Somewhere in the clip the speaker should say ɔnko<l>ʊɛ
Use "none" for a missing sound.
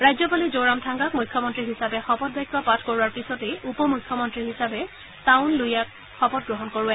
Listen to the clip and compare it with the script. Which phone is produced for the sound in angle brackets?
ɹ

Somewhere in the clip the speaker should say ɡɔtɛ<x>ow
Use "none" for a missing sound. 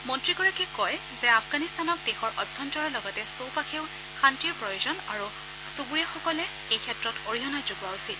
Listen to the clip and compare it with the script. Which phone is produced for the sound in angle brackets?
s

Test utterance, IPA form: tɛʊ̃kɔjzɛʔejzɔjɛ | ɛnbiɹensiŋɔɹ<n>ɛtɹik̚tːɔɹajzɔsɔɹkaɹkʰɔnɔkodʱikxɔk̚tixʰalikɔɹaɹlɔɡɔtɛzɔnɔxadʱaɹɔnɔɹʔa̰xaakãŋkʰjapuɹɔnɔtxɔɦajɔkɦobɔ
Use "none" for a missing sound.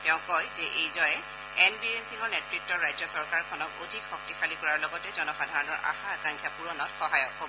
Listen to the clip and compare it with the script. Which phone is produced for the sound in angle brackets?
n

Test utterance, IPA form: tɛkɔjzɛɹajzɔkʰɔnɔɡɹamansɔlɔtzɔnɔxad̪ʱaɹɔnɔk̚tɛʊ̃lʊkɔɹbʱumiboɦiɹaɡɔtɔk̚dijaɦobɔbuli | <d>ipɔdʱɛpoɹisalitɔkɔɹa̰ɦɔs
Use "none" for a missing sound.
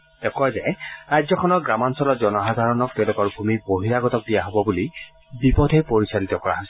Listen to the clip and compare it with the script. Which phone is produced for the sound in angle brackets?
b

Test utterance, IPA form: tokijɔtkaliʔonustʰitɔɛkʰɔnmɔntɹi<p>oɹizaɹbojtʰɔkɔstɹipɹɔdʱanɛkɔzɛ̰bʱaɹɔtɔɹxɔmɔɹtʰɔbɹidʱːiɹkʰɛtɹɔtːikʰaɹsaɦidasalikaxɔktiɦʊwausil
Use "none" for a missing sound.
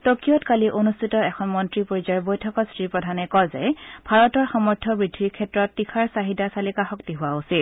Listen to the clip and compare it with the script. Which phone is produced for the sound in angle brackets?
p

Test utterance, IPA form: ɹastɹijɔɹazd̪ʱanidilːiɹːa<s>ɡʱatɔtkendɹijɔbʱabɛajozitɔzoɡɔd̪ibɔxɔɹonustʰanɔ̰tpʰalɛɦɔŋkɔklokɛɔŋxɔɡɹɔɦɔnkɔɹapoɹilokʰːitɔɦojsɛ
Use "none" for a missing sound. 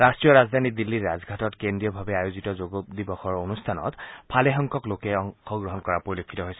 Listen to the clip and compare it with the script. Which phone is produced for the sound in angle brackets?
z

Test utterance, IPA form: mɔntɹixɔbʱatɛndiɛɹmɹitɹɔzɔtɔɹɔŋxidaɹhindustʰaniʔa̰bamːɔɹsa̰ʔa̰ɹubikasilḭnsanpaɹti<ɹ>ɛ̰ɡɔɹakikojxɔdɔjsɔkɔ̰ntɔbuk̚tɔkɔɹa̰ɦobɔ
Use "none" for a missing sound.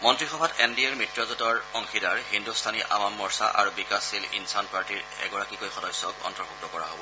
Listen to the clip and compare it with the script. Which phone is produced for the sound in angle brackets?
ɹ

